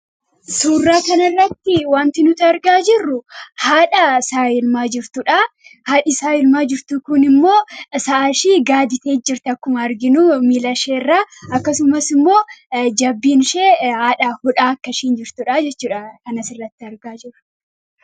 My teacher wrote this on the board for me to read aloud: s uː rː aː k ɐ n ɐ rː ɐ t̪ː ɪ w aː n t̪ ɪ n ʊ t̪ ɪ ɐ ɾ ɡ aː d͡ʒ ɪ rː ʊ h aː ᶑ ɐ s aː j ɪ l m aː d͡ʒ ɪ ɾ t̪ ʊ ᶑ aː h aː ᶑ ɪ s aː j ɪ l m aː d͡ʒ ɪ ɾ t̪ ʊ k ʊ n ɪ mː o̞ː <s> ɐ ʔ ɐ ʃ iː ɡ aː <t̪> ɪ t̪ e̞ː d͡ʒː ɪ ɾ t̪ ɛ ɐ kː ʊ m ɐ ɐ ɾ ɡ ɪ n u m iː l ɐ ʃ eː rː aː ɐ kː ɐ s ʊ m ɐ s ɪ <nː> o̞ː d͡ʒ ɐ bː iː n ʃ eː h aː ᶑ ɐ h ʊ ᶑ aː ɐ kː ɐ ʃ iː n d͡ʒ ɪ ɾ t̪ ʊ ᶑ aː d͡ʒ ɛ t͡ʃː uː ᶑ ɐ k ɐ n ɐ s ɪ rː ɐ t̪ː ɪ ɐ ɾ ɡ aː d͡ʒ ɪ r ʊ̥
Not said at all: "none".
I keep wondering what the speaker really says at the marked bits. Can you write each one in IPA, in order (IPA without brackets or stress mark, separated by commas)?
s, d̪, mː